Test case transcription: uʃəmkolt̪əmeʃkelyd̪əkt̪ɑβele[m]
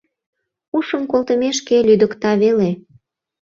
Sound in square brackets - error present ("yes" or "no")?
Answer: yes